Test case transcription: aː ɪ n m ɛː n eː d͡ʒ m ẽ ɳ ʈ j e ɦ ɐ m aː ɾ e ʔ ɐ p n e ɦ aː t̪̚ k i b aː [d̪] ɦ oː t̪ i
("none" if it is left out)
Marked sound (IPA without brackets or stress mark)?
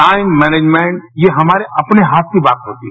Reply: t̪